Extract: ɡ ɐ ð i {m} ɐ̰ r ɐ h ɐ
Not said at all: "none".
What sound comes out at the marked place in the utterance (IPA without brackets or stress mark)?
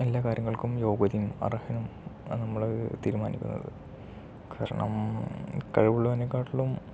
m